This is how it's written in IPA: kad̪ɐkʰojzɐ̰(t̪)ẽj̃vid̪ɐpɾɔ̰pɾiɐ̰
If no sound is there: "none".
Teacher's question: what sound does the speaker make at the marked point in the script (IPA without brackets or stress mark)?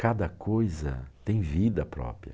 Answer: t̪